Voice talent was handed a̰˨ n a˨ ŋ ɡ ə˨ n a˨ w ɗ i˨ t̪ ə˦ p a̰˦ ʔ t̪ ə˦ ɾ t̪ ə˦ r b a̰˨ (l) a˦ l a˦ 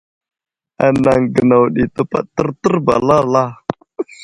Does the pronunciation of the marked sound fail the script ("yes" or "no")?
no